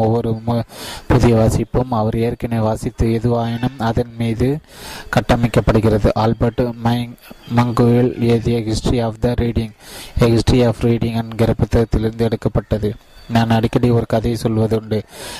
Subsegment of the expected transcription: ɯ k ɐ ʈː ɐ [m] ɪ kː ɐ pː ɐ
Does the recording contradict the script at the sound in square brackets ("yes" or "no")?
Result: no